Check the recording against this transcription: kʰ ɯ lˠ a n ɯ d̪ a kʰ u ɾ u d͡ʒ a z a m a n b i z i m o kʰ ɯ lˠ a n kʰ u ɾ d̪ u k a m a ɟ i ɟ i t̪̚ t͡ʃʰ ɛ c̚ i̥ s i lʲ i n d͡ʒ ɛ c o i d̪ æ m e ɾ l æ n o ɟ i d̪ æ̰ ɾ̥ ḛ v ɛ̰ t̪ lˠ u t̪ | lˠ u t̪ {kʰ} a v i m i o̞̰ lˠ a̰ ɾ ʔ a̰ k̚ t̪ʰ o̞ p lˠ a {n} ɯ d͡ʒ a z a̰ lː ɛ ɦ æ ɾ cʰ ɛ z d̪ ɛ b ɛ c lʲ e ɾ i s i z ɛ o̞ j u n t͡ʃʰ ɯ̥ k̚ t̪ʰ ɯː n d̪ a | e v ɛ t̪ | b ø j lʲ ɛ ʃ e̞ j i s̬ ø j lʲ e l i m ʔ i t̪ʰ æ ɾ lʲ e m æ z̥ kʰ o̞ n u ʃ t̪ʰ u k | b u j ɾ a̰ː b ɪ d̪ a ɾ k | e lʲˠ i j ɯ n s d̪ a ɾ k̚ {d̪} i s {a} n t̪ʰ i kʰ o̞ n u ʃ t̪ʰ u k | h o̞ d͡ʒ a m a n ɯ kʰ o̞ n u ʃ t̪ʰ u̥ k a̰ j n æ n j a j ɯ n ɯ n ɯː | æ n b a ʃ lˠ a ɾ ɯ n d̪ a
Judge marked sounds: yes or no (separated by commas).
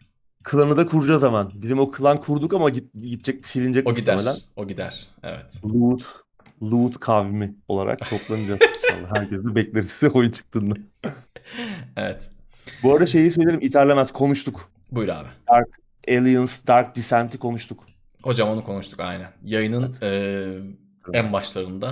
yes, yes, yes, no